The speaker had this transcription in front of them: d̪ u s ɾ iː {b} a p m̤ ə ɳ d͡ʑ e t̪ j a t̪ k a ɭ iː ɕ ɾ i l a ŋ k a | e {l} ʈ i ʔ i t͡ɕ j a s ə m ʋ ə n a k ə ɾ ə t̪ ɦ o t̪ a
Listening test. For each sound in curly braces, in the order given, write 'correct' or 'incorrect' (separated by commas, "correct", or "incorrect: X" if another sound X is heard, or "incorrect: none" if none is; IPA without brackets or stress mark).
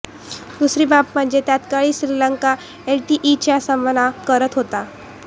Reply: correct, correct